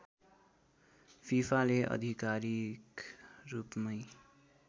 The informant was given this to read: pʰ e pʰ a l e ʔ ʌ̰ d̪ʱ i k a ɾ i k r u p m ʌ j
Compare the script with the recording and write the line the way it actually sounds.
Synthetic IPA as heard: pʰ i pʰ a l e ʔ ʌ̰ d̪ʱ i k a ɾ i k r u p m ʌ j